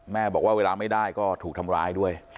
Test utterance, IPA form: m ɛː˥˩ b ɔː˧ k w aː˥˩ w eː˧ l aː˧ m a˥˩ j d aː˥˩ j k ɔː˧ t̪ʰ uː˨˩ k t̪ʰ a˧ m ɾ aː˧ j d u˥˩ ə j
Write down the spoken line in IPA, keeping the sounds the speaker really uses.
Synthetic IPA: m ɛː˥˩ b ɔː˨˩ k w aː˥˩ w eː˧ l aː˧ m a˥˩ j d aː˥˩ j k ɔː˥˩ t̪ʰ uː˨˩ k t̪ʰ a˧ m ɾ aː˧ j d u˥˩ ə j